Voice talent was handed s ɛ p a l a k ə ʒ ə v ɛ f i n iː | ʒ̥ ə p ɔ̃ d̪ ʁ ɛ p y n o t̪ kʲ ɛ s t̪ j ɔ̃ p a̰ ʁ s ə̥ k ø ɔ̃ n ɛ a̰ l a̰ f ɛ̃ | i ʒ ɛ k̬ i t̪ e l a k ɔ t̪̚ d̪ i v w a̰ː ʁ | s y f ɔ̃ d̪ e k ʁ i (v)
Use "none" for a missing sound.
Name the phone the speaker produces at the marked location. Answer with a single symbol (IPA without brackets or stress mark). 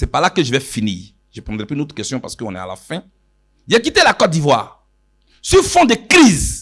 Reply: z